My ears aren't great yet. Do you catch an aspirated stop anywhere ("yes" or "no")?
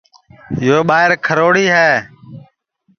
yes